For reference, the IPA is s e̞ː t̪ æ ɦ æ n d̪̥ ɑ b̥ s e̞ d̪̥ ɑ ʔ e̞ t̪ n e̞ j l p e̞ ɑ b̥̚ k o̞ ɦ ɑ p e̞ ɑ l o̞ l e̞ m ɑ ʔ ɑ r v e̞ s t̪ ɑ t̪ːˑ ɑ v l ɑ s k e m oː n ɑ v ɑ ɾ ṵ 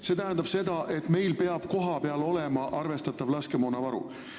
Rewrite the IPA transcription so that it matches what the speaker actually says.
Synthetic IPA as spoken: s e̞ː t̪ æ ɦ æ n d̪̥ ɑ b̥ s e̞ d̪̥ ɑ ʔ e̞ t̪ m e̞ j l p e̞ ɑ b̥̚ k o̞ ɦ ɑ p e̞ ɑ l o̞ l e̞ m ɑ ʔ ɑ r v e̞ s t̪ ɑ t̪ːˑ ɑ v l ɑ s k e m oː n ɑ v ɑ ɾ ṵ